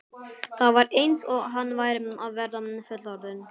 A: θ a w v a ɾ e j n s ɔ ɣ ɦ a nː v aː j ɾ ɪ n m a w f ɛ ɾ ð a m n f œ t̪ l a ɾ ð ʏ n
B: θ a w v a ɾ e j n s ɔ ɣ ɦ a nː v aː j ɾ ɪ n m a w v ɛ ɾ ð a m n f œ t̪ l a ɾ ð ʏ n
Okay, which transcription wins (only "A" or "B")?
B